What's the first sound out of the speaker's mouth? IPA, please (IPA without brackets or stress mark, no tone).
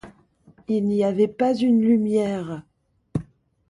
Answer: i